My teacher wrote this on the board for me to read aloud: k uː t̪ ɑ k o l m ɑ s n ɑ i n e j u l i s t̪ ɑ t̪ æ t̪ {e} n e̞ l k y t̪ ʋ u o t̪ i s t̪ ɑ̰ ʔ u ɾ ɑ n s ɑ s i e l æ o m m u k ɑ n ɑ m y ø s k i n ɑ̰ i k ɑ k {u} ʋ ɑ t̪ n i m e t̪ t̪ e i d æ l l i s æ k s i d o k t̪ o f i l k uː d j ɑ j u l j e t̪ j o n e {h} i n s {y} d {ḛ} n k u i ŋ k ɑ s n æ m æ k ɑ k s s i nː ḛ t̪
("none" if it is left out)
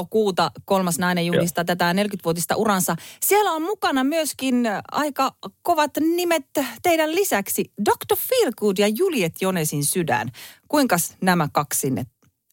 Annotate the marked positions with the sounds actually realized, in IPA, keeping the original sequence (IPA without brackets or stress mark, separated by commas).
æ, o, s, y, æ̰